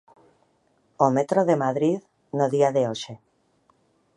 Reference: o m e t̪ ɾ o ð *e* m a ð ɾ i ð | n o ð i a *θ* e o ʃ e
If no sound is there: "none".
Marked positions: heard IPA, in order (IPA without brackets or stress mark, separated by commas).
e, ð